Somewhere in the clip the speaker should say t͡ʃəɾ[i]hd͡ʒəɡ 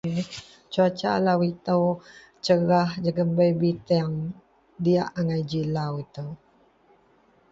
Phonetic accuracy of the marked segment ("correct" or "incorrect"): incorrect